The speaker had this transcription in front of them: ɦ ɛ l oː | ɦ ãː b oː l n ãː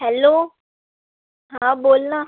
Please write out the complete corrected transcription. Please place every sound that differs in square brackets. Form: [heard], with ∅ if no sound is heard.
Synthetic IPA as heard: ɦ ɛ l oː | ɦ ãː b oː l n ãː